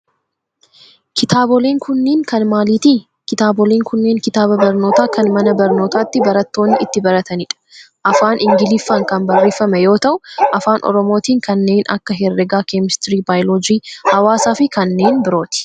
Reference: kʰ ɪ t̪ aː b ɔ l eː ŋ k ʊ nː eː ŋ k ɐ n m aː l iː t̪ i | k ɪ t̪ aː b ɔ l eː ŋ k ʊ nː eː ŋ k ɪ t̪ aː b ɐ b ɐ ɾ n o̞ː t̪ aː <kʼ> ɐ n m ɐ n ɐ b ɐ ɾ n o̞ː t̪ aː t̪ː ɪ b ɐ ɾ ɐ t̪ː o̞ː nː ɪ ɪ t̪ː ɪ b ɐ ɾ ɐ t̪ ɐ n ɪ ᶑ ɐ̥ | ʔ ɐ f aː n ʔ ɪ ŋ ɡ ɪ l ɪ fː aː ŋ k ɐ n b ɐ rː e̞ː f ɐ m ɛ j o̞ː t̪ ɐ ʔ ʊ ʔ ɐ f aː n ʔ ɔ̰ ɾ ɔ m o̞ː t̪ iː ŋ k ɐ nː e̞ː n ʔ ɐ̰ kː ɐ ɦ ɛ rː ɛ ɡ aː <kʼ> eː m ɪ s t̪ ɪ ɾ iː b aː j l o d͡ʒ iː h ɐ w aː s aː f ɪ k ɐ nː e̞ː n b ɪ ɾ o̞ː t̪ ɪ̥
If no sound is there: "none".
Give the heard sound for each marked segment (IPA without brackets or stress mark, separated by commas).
k, k